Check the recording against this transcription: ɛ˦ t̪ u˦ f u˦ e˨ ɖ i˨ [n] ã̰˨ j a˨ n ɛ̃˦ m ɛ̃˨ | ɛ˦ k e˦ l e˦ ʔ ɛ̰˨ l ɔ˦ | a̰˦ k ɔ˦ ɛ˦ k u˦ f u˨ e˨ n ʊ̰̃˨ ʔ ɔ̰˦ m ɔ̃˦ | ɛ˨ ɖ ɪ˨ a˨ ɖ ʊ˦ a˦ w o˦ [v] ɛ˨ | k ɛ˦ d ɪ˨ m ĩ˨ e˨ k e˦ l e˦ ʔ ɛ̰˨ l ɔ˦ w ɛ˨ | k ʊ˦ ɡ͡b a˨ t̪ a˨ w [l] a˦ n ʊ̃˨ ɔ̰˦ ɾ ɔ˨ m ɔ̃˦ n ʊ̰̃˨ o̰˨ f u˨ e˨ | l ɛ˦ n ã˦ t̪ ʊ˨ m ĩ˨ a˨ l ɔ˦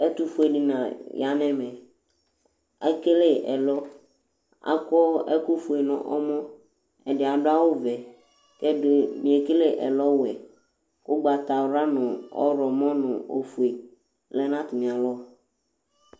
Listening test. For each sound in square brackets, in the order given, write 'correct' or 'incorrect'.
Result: correct, correct, incorrect: ɾ

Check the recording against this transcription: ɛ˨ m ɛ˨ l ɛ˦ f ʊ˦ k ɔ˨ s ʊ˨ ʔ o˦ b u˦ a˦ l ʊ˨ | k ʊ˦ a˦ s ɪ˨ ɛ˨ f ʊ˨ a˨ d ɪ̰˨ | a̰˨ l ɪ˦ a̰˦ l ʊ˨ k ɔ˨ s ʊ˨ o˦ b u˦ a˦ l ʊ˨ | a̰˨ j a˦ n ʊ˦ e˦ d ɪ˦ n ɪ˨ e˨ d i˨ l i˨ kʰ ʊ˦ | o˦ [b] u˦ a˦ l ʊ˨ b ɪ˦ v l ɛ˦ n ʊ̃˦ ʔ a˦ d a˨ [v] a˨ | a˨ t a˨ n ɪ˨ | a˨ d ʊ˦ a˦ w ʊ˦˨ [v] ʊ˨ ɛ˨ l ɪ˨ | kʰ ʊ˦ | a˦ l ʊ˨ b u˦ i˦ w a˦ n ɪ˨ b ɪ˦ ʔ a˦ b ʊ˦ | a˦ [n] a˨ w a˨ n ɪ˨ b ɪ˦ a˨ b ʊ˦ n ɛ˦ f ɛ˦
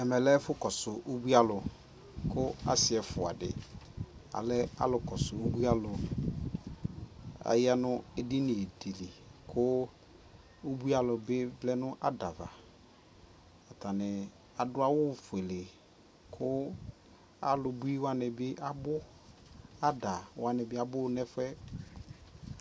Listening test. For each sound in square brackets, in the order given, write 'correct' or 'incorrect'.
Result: correct, correct, incorrect: f, incorrect: d

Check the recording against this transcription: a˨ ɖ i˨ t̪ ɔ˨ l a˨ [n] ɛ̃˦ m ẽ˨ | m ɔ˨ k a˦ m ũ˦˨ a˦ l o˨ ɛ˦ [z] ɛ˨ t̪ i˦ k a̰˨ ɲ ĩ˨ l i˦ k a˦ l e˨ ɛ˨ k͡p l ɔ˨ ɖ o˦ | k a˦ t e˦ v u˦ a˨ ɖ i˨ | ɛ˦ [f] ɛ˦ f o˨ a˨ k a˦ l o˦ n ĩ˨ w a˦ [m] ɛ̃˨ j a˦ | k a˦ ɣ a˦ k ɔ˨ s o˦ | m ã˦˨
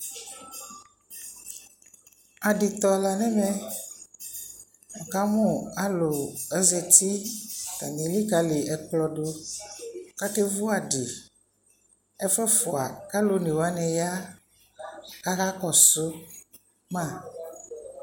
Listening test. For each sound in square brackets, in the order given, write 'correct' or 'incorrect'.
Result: correct, correct, correct, incorrect: n

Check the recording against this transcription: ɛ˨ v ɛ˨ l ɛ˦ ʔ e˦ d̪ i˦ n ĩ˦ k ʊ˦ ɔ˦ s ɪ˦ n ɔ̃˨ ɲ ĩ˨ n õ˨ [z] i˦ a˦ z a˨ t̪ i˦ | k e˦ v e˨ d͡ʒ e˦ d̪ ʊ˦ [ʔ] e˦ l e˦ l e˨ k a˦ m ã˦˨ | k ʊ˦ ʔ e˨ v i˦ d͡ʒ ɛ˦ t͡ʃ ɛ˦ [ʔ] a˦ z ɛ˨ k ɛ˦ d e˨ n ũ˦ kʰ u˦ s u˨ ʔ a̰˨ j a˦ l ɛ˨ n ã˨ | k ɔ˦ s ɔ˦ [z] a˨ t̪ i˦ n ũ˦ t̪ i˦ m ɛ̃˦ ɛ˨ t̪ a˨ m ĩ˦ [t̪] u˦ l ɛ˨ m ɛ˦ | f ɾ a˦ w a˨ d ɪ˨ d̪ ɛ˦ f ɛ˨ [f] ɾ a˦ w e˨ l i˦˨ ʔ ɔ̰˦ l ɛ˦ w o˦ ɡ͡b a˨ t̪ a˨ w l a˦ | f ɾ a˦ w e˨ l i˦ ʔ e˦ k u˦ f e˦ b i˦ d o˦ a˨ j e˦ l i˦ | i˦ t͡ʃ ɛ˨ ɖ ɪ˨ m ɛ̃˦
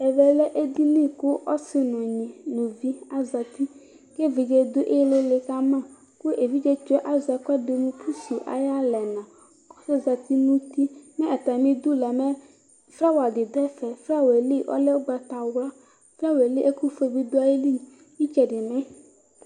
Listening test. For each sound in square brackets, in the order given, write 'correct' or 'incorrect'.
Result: incorrect: v, correct, correct, correct, incorrect: d̪, correct

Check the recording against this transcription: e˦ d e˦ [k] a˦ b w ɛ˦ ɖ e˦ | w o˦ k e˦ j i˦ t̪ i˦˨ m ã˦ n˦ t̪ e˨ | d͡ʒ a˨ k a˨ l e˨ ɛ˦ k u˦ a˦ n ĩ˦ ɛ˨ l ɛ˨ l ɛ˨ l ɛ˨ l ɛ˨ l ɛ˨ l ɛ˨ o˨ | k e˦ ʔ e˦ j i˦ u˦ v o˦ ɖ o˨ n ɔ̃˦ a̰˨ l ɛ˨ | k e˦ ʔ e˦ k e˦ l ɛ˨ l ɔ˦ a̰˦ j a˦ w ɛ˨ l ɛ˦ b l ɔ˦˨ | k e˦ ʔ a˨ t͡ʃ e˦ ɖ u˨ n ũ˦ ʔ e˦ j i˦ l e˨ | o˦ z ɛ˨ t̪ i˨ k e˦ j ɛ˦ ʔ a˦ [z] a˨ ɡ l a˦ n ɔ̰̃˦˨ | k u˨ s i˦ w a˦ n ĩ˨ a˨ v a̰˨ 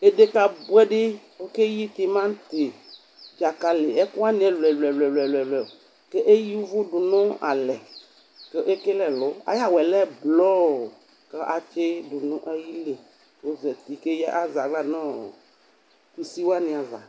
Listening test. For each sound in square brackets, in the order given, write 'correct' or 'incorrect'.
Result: correct, correct

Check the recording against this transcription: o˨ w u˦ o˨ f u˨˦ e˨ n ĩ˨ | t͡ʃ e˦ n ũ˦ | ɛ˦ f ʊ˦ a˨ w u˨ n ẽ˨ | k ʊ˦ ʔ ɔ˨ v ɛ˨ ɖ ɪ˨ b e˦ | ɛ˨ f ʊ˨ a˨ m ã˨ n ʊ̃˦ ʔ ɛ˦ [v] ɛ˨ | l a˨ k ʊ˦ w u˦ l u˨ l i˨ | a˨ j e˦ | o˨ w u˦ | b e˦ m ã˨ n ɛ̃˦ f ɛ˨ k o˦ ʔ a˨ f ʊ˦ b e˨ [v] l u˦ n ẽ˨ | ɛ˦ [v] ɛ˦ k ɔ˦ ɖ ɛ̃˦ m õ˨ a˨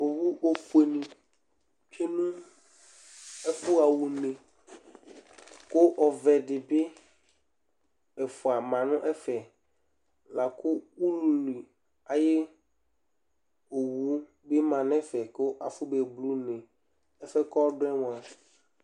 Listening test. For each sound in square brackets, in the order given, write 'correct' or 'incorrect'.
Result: incorrect: f, incorrect: b, incorrect: f

